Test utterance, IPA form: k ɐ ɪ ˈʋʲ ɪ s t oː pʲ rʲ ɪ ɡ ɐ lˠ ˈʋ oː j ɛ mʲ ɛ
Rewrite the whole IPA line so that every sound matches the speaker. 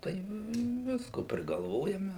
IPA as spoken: t ɐ ɪ ˈʋʲ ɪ s k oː pʲ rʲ ɪ ɡ ɐ lˠ ˈʋ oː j ɛ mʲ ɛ